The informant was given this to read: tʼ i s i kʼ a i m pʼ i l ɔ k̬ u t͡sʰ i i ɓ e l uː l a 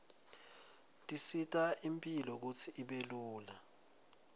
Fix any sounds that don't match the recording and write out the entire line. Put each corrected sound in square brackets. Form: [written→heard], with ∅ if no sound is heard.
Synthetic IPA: tʼ i s i [kʼ→tʼ] a i m pʼ i l ɔ k̬ u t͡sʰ i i ɓ e l uː l a